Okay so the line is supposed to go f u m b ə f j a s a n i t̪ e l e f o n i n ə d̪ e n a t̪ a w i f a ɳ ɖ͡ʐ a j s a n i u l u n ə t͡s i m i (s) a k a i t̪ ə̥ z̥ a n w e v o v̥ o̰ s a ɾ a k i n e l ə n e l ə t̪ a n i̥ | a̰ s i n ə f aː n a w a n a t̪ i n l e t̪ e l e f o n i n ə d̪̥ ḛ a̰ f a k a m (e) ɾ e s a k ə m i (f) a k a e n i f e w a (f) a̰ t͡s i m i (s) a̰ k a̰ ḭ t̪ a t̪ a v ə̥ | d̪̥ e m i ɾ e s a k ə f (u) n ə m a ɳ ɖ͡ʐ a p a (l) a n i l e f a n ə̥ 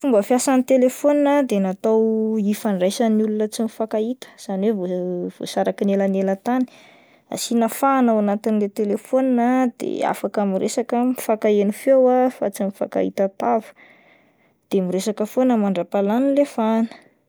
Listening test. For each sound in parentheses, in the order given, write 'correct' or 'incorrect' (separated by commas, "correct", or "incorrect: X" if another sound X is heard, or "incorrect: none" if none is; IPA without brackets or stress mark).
incorrect: f, incorrect: i, correct, correct, incorrect: f, incorrect: o, correct